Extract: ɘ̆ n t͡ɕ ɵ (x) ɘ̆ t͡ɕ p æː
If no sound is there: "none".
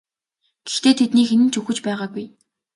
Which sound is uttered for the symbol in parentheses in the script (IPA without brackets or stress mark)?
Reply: x